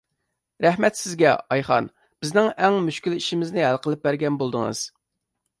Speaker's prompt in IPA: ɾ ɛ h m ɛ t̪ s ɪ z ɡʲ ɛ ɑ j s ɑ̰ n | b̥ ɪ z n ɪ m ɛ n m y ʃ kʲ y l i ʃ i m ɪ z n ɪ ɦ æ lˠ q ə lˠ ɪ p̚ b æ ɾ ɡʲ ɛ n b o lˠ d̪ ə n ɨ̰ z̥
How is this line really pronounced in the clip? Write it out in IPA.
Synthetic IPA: ɾ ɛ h m ɛ t̪ s ɪ z ɡʲ ɛ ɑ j χ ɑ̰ n | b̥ ɪ z n ɪ ŋ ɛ ŋ m y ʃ kʲ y l i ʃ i m ɪ z n ɪ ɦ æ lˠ q ə lˠ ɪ p̚ b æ ɾ ɡʲ ɛ n b o lˠ d̪ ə ŋ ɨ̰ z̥